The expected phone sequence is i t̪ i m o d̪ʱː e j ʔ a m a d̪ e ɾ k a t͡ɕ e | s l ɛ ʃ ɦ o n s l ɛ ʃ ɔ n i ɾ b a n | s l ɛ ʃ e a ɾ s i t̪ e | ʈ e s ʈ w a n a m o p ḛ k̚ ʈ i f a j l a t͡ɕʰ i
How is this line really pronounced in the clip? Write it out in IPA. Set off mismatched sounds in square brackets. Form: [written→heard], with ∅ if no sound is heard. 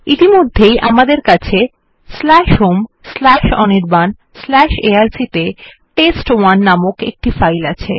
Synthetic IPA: i t̪ i m o d̪ʱː e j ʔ a m a d̪ e ɾ k a [t͡ɕ→t͡ɕʰ] e | s l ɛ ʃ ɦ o [n→m] s l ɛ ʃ ɔ n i ɾ b a n | s l ɛ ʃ e a ɾ s i t̪ e | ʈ e s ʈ w a [n→nː] a m o [p→k] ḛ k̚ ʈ i f a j l a t͡ɕʰ [i→e]